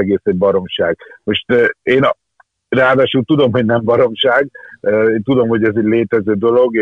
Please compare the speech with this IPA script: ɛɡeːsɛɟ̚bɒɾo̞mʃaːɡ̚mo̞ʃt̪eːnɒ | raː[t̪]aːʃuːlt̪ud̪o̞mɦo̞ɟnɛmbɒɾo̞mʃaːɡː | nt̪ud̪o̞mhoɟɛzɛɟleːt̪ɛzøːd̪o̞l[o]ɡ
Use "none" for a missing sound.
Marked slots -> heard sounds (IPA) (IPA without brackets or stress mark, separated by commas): d̪, o